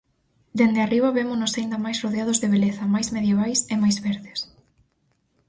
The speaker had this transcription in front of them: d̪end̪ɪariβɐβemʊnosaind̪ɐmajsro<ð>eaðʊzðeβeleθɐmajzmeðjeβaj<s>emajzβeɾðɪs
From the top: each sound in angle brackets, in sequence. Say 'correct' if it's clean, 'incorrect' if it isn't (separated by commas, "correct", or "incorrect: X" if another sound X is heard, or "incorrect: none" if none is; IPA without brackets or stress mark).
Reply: correct, correct